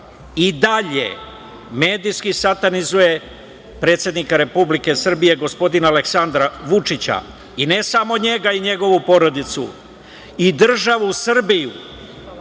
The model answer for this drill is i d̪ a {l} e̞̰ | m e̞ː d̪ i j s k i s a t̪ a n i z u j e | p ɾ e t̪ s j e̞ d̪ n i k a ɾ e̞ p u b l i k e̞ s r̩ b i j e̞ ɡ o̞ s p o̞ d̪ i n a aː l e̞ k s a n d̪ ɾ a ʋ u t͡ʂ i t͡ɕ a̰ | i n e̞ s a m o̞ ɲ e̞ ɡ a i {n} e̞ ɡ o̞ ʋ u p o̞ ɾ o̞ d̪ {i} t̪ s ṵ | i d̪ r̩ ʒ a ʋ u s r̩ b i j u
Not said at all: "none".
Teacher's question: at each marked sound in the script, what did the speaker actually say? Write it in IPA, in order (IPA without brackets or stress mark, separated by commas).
ʎ, ɲ, i